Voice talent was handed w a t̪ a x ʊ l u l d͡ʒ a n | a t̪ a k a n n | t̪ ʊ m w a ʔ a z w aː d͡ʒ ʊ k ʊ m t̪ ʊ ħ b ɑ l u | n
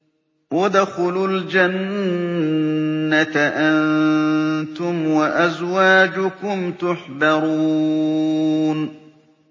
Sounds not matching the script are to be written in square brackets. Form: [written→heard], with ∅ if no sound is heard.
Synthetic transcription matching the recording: w a [t̪→d̪] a x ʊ l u l d͡ʒ a n | a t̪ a [k→ʔ] a n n | t̪ ʊ m w a ʔ a z w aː d͡ʒ ʊ k ʊ m t̪ ʊ ħ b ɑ [l→ɾ] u | n